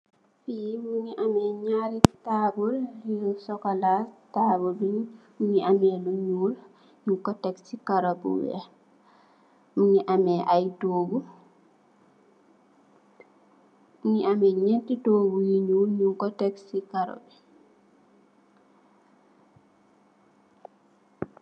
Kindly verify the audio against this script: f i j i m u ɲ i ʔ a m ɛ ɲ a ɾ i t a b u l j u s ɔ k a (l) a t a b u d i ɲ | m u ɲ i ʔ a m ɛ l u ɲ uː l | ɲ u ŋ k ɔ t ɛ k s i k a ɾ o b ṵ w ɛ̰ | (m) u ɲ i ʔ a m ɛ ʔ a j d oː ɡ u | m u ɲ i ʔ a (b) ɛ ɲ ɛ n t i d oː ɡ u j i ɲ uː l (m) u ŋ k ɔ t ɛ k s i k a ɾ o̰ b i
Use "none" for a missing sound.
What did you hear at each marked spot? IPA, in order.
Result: l, m, m, ɲ

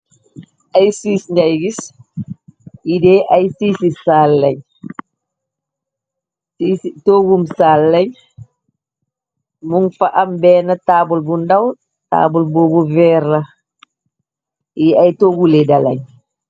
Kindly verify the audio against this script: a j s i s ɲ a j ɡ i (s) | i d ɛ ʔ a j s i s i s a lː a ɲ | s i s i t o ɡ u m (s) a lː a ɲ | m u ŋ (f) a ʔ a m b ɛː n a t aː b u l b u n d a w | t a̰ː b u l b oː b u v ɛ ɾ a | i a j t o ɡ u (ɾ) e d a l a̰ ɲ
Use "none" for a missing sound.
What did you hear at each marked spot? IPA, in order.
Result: s, s, f, l

